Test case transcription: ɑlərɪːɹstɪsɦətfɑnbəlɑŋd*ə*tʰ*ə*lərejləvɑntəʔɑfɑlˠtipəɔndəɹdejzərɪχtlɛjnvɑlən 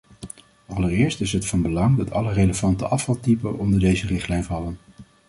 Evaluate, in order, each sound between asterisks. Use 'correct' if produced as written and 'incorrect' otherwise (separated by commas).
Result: incorrect, incorrect